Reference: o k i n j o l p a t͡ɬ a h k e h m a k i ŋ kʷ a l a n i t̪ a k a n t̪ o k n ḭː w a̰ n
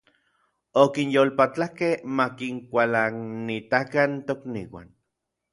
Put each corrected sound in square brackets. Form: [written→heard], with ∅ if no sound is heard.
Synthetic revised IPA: o k i n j o l p a t͡ɬ a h k e h m a k i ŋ kʷ a l a n i t̪ a k a n t̪ o k n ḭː w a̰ n